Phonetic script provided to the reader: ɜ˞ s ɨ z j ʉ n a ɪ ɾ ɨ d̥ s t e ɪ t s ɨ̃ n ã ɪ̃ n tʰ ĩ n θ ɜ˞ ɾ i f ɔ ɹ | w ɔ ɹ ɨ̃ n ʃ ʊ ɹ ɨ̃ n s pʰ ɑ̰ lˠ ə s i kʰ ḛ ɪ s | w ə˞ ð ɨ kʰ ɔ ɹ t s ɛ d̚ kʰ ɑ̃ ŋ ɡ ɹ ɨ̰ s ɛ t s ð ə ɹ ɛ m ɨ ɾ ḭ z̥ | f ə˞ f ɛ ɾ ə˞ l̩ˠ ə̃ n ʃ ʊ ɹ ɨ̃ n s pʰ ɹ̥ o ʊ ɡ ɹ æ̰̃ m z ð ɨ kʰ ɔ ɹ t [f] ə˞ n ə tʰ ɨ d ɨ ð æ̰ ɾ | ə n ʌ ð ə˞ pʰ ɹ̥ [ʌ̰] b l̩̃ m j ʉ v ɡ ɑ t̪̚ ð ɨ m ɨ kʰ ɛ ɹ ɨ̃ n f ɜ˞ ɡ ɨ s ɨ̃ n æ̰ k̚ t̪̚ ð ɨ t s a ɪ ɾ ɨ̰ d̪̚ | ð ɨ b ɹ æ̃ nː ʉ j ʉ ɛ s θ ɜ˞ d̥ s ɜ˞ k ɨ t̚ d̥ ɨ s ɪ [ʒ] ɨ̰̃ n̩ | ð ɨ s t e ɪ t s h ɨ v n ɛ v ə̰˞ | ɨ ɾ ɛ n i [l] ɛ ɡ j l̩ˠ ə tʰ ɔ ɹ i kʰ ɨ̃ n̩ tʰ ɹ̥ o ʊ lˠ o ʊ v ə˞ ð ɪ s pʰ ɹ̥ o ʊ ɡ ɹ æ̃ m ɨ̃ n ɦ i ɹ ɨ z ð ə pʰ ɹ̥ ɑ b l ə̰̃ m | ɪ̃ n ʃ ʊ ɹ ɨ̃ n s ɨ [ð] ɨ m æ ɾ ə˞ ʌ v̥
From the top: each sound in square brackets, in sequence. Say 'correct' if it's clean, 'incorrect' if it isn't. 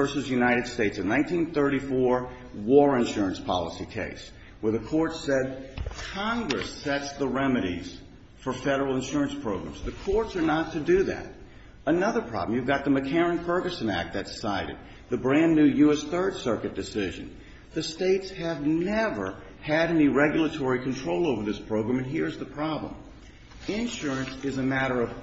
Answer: incorrect: s, incorrect: ɑ̰, correct, incorrect: ɹ, incorrect: z

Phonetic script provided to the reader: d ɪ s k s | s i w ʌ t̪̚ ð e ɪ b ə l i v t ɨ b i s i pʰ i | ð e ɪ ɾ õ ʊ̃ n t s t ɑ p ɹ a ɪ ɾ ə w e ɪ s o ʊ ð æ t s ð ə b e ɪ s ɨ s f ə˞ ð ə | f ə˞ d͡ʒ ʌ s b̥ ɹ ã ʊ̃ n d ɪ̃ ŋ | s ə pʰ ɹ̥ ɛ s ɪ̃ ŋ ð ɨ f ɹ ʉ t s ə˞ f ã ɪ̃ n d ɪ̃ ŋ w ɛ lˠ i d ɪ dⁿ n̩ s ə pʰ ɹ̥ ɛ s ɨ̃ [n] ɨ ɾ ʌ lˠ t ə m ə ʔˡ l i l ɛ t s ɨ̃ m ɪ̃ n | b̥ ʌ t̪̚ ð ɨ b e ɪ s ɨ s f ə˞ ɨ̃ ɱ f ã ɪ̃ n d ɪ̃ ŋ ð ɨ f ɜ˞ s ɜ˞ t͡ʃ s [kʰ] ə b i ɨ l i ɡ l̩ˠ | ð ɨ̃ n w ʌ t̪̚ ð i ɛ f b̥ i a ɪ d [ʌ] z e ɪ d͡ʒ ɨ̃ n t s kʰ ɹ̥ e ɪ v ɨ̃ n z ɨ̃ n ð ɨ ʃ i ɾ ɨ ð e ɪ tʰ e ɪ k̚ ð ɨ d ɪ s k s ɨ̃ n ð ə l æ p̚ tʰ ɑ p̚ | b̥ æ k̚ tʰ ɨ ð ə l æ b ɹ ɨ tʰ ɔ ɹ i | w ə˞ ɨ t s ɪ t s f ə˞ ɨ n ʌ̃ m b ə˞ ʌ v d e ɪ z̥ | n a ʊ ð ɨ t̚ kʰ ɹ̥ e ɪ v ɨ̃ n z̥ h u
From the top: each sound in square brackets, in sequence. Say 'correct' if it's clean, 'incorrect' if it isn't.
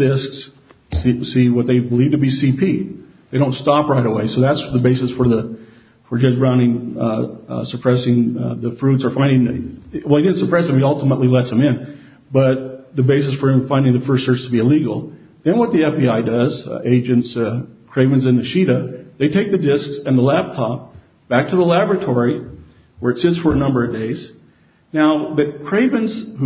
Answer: incorrect: m, incorrect: tʰ, correct

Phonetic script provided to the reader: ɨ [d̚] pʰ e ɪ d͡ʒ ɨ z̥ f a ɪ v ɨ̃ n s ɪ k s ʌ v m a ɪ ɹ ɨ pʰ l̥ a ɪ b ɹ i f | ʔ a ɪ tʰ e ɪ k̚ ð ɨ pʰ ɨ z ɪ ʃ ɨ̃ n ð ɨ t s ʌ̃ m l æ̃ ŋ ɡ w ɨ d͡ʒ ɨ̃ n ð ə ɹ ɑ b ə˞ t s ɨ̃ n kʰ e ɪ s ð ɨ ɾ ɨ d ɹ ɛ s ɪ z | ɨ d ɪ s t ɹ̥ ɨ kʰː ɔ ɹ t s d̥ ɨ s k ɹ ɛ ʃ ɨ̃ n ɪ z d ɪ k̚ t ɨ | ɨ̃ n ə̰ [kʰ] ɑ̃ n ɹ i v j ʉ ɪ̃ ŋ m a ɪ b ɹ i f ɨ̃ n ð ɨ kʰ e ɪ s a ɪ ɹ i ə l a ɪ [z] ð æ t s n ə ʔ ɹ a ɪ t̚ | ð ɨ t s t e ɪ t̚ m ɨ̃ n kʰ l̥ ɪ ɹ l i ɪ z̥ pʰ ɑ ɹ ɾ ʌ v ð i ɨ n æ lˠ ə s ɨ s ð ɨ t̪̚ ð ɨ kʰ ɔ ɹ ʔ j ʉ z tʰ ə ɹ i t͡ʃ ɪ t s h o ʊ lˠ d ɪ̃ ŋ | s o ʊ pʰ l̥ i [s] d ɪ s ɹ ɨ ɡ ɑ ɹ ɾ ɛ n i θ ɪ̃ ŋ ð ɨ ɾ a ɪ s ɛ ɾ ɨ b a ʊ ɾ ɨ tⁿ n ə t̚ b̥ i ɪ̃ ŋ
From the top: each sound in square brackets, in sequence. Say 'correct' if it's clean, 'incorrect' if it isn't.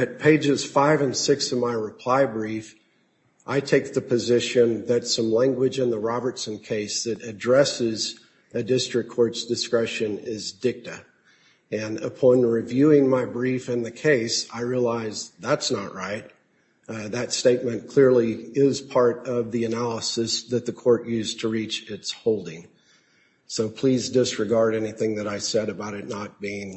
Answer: incorrect: t̚, incorrect: pʰ, correct, incorrect: z

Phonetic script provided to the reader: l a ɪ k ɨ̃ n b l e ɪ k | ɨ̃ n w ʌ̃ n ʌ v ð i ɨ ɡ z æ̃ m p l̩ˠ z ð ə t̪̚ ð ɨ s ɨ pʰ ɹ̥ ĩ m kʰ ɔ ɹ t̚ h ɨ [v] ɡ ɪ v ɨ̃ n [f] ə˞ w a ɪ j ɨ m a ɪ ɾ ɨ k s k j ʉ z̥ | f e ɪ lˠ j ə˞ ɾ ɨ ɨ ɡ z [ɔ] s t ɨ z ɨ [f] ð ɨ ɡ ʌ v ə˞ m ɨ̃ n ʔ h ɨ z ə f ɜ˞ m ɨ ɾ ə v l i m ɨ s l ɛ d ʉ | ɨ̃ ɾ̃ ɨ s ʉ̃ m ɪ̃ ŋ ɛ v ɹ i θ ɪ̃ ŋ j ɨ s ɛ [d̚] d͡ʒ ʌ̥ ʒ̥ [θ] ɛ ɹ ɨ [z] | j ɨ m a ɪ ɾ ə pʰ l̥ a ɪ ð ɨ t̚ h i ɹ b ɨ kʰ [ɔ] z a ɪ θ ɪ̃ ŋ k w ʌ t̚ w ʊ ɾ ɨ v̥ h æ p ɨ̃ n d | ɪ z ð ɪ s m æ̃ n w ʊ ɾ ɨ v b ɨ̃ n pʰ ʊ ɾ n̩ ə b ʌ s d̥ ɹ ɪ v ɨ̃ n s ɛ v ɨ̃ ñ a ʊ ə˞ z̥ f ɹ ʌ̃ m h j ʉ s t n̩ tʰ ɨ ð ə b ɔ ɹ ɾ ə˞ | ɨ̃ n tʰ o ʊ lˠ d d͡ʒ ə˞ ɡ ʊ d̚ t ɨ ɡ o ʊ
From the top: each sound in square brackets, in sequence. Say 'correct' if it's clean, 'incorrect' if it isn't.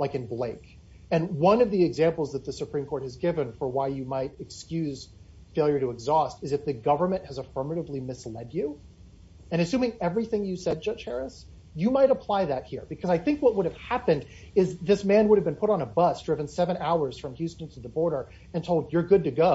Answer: incorrect: z, correct, correct, correct, correct, incorrect: h, incorrect: s, incorrect: ʌ

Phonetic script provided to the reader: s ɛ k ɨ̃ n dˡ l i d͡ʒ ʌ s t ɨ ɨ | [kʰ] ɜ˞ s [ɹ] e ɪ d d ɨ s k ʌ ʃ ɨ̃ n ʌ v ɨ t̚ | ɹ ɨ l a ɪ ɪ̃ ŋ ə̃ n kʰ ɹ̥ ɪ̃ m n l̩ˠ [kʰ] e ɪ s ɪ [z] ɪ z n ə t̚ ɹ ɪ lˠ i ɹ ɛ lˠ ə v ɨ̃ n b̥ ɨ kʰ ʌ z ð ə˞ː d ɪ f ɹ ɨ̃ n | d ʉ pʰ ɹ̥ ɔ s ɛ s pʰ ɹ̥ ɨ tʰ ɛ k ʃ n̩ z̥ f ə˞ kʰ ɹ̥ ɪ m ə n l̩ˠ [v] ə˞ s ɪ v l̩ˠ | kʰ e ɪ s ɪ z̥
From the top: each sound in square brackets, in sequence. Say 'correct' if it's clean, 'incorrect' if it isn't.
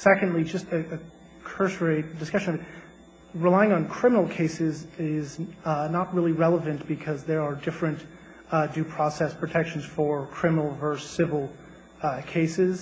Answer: correct, correct, correct, correct, correct

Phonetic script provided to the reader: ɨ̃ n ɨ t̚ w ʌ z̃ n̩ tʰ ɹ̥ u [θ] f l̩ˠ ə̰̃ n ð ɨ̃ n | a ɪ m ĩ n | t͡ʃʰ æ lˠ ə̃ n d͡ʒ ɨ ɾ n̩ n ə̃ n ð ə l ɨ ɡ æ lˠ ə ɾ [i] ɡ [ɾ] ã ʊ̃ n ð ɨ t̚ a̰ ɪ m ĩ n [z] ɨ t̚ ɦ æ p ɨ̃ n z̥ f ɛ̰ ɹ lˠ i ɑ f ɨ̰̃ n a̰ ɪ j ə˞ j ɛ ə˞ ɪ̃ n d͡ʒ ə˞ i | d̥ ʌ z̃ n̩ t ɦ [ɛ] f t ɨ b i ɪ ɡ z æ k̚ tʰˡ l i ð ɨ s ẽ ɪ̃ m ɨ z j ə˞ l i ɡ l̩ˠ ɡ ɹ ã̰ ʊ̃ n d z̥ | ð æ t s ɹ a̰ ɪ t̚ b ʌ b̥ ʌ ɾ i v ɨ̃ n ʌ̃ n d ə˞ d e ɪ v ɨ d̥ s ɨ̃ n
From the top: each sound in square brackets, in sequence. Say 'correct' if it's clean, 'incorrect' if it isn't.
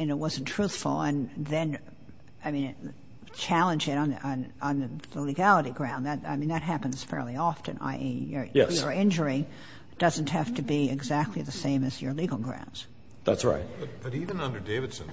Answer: correct, correct, incorrect: ɹ, incorrect: ð, incorrect: æ

